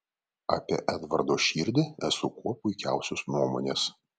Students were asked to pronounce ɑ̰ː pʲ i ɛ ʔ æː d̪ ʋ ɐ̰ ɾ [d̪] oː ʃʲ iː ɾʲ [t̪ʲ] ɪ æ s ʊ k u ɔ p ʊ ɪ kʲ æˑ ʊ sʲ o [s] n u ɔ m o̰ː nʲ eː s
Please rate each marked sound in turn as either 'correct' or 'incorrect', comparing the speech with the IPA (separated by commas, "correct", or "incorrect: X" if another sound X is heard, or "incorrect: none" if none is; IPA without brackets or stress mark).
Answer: correct, incorrect: d̪ʲ, correct